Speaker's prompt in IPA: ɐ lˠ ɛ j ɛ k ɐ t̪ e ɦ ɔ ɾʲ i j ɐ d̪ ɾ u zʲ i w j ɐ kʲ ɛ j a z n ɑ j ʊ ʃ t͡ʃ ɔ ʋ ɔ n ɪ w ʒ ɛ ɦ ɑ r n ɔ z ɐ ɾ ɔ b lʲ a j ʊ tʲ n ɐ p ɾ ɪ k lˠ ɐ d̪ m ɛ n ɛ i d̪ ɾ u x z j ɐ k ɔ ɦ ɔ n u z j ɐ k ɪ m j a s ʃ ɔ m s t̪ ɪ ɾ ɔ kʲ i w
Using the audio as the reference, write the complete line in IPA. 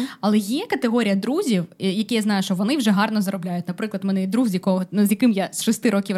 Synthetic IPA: ɐ lˠ ɛ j ɛ k ɐ t̪ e ɦ ɔ ɾʲ i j ɐ d̪ ɾ u zʲ i w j ɐ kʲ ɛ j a z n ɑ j ʊ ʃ t͡ʃ ɔ ʋ ɔ n ɪ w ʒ ɛ ɦ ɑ r n ɔ z ɐ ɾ ɔ b lʲ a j ʊ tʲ n ɐ p ɾ ɪ k lˠ ɐ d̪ m ɛ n ɛ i d̪ ɾ u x z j ɐ k ɔ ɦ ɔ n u z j ɐ k ɪ m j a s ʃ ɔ s t̪ ɪ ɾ ɔ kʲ i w